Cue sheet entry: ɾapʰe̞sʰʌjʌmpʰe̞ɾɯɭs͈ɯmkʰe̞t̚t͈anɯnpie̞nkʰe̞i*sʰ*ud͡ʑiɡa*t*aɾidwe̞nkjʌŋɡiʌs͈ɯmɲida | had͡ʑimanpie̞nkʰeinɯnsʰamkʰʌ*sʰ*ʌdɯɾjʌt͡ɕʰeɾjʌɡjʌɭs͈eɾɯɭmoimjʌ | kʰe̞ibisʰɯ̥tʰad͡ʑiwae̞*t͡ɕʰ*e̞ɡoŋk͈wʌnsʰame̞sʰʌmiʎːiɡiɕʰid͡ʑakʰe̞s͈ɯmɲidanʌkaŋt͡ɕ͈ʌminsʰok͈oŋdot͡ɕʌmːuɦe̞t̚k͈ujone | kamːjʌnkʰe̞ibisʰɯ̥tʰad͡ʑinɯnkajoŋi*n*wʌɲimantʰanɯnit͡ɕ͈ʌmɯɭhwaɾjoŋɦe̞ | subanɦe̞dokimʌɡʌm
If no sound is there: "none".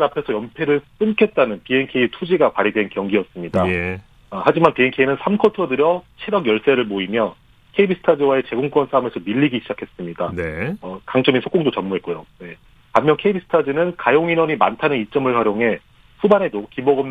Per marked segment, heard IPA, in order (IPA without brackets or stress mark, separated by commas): tʰ, p, tʰ, t͡ɕ, n